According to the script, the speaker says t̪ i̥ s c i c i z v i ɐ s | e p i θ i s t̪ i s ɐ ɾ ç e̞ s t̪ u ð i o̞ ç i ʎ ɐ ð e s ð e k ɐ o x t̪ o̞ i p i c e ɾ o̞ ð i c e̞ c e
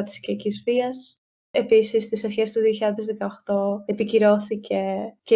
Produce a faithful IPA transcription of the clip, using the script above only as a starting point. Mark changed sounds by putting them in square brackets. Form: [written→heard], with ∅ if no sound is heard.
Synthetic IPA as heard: t̪ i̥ s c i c i z v i ɐ s | e p i [θ→s] i s t̪ i s ɐ ɾ ç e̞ s t̪ u ð i o̞ ç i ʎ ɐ ð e [s→z] ð e k ɐ o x t̪ o̞ [i→e] p i c [e→i] ɾ o̞ [ð→θ] i c e̞ c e